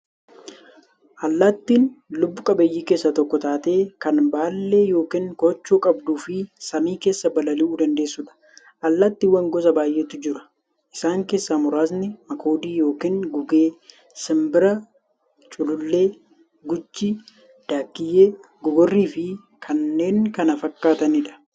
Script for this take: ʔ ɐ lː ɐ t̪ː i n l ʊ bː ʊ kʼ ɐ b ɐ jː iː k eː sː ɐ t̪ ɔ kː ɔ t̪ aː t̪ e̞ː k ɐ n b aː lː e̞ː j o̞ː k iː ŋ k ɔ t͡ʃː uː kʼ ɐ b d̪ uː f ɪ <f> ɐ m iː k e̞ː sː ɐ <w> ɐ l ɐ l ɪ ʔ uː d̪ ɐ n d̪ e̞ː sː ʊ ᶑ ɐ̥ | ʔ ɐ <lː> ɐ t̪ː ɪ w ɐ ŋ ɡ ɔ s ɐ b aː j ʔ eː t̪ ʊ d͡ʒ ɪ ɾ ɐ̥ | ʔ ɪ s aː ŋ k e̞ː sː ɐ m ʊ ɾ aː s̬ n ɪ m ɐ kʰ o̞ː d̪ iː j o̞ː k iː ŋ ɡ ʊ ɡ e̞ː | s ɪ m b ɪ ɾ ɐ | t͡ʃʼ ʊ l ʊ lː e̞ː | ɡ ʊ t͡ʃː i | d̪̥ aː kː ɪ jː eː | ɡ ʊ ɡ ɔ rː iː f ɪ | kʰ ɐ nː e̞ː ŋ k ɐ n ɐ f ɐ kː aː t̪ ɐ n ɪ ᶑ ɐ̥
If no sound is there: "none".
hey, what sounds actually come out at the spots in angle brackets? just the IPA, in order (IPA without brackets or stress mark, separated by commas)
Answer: s, b, lː